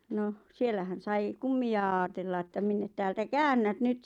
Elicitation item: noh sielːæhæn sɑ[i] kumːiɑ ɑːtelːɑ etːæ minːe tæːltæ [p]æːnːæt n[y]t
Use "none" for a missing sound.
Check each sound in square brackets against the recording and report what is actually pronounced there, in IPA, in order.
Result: i, k, y

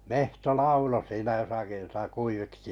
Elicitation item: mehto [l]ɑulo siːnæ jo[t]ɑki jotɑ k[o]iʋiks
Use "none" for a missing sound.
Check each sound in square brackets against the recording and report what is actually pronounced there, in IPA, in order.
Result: l, s, u

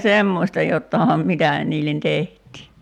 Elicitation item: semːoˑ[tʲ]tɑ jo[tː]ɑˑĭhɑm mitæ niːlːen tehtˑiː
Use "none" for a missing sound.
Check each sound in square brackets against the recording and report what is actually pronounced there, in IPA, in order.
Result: sʲ, tː

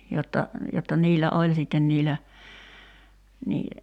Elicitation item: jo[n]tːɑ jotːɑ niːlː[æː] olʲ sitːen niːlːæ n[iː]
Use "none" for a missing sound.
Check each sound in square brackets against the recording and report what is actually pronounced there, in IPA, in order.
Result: none, æ, iː

